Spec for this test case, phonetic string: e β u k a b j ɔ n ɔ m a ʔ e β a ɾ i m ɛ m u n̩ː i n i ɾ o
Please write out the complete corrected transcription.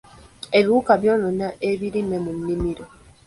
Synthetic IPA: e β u k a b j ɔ n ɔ n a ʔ e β i ɾ i m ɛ m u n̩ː i m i ɾ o